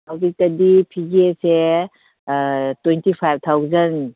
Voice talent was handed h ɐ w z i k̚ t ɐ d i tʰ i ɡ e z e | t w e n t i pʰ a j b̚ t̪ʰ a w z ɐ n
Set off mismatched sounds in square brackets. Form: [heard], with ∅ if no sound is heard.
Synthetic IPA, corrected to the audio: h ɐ w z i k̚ t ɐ d i [pʰ] i ɡ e [s] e | t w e n t i pʰ a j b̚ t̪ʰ a w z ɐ n